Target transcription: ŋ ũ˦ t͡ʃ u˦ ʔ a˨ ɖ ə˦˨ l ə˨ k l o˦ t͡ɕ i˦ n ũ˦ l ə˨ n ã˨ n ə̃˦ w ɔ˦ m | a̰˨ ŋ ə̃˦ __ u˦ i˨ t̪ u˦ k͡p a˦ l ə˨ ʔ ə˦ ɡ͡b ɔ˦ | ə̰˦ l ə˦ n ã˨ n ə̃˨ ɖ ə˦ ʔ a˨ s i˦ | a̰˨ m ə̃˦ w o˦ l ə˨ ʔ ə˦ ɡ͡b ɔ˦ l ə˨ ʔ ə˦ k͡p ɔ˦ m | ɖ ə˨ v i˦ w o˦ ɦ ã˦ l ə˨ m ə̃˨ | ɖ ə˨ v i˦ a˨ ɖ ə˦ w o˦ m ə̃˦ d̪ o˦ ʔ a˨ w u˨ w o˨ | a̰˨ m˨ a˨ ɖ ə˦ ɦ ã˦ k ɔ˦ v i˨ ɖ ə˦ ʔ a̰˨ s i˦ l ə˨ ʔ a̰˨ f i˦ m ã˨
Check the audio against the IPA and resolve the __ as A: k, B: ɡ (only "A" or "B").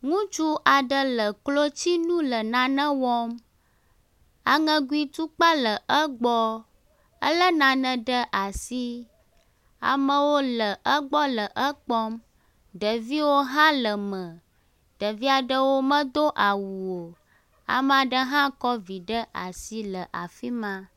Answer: B